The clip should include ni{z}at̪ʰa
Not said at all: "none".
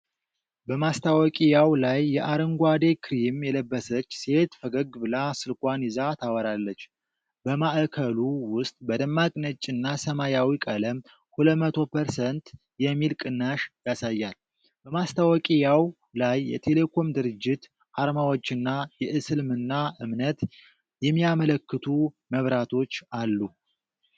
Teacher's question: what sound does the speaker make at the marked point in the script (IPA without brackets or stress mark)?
z